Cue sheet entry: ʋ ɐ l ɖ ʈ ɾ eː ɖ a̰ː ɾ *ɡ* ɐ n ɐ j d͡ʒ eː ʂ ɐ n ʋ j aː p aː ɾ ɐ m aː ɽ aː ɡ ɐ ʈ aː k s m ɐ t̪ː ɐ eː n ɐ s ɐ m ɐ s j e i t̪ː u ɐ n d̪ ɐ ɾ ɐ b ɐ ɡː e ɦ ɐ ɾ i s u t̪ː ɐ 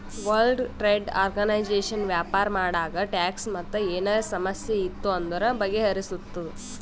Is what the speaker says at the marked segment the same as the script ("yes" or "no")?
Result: yes